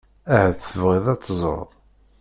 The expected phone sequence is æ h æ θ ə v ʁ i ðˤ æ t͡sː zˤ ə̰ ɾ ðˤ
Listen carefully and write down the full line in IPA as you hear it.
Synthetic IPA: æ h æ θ ə v ʁ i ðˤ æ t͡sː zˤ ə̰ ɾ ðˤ